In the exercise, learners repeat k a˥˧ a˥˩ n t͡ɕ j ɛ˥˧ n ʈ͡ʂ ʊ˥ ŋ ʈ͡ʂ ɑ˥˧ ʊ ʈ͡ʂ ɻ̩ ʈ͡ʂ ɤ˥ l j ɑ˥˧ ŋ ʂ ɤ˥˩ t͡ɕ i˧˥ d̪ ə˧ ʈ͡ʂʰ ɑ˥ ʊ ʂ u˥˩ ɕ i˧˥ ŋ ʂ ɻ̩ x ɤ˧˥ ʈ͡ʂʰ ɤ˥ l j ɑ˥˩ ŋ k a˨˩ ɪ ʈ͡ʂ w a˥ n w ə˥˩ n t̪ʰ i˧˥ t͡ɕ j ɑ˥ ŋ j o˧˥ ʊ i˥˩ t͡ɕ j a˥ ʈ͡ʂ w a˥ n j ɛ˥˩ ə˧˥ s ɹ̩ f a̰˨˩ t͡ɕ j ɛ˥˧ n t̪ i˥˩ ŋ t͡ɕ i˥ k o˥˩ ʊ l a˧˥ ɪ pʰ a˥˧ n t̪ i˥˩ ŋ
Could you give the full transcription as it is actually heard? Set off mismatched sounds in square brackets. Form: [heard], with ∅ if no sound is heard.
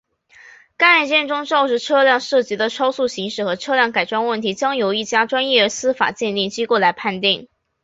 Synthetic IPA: k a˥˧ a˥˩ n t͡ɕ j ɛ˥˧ n ʈ͡ʂ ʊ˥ ŋ ʈ͡ʂ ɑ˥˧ ʊ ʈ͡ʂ ɻ̩ [ʈ͡ʂʰ] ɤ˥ l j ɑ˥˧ ŋ ʂ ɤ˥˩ t͡ɕ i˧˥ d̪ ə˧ ʈ͡ʂʰ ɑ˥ ʊ [s] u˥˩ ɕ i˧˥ ŋ ʂ ɻ̩ x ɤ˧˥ ʈ͡ʂʰ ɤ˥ l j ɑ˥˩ ŋ k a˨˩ ɪ ʈ͡ʂ w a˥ n w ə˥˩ n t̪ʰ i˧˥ t͡ɕ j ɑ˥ ŋ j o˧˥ ʊ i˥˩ t͡ɕ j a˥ ʈ͡ʂ w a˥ n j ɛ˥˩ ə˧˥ s ɹ̩ f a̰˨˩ t͡ɕ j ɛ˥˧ n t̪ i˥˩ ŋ t͡ɕ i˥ k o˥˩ ʊ l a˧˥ ɪ pʰ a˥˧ n t̪ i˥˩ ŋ